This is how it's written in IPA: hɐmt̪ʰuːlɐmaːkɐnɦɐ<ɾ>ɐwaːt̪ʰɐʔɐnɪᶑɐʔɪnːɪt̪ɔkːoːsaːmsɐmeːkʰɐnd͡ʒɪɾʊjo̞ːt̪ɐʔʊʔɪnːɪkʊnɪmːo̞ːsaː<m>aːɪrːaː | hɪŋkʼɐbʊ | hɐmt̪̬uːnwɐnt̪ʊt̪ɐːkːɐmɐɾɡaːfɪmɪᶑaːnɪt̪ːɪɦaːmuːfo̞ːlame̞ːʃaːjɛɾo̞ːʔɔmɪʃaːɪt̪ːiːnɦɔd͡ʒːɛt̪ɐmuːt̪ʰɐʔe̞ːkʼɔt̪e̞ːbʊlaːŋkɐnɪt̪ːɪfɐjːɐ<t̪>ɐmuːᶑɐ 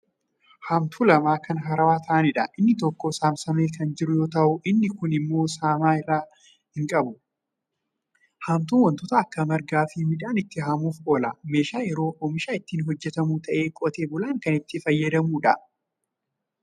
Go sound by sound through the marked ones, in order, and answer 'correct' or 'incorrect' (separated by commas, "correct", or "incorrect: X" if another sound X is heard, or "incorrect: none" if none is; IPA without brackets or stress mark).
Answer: correct, correct, incorrect: d̪